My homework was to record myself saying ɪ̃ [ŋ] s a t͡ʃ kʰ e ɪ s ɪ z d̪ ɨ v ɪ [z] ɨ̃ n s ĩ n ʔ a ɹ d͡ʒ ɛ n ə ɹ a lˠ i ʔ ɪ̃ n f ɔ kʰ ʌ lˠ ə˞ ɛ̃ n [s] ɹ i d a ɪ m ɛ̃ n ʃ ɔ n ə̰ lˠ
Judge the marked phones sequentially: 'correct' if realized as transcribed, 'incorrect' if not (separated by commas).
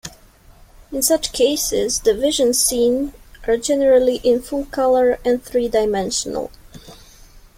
incorrect, incorrect, incorrect